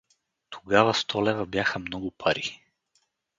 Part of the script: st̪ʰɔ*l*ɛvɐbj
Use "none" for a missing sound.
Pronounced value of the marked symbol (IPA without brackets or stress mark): l